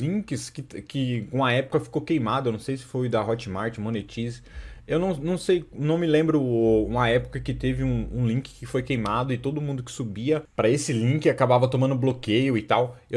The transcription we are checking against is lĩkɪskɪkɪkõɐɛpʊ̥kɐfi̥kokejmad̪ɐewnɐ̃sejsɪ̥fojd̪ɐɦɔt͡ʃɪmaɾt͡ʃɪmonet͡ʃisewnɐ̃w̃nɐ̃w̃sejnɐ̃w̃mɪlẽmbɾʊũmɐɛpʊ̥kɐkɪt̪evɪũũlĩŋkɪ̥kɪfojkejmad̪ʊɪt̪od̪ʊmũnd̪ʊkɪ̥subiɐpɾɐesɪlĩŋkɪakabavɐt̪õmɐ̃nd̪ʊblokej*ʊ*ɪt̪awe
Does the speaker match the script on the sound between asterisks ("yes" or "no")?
yes